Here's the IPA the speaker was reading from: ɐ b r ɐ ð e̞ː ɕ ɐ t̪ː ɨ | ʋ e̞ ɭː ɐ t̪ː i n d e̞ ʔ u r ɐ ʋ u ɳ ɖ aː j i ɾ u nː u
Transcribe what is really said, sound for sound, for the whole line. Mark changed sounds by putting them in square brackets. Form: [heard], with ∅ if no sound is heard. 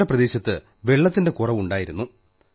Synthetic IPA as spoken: ɐ [p] r ɐ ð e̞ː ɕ ɐ t̪ː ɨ | ʋ e̞ ɭː ɐ t̪ː i n d e̞ [k] u r ɐ ʋ u ɳ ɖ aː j i ɾ u nː u